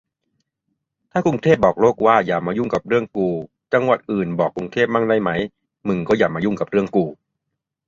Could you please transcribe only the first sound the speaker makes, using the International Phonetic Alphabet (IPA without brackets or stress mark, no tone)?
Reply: t̪ʰ